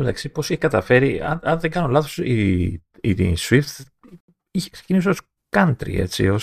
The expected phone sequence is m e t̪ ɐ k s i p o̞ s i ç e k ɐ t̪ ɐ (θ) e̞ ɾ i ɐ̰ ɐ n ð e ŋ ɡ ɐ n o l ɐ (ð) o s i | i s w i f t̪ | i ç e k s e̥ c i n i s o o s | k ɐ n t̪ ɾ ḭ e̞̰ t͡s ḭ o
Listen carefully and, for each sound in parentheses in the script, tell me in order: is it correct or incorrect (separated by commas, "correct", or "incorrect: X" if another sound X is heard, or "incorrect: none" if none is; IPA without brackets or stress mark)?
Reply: incorrect: f, incorrect: θ